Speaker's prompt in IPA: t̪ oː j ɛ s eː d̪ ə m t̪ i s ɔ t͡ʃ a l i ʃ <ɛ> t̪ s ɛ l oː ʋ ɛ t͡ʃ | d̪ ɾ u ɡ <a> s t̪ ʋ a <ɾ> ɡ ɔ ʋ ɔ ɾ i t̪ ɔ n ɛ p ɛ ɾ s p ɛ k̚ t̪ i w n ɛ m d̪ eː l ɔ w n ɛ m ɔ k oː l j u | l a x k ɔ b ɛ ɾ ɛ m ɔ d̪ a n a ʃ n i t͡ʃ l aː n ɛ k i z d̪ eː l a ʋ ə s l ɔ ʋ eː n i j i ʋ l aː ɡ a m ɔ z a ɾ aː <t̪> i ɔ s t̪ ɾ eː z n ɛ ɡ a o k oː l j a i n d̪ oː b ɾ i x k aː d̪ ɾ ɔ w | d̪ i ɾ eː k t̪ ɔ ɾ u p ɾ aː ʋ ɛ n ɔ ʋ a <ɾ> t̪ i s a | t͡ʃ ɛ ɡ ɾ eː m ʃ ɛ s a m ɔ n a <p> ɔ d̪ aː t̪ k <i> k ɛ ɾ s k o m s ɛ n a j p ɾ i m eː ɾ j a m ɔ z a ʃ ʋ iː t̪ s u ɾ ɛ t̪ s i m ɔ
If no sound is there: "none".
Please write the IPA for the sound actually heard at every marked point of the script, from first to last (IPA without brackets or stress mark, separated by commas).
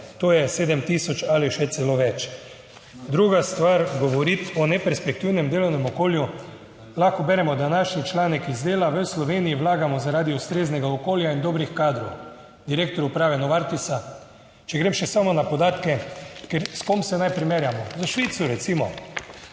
ɛ, a, ɾ, d̪, ɾ, p, ɛ